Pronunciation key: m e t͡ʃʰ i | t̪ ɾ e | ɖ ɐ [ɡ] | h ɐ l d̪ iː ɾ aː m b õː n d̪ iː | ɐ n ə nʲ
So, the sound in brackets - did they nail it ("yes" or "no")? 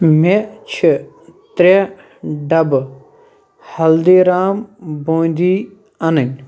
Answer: no